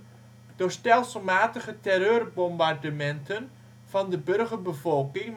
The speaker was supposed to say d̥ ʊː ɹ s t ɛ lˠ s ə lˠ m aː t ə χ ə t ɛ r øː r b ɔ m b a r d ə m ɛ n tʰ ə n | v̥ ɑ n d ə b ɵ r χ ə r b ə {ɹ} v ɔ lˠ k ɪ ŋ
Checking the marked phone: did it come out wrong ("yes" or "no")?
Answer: yes